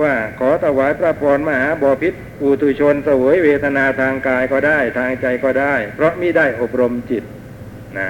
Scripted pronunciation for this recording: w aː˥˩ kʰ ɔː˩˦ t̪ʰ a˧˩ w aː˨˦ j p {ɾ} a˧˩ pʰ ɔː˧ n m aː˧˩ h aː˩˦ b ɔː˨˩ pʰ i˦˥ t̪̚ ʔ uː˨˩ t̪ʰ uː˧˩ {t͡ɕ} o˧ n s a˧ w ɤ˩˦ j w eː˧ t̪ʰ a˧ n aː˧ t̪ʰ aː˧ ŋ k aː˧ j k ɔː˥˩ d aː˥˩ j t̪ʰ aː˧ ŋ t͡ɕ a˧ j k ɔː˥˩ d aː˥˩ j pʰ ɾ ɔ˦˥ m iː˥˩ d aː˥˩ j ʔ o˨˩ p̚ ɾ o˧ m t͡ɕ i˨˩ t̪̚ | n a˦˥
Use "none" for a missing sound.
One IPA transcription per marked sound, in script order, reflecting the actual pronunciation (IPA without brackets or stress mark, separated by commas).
ɾ, t͡ɕʰ